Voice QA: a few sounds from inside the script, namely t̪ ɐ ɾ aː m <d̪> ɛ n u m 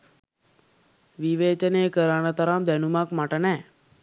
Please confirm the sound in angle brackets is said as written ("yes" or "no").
yes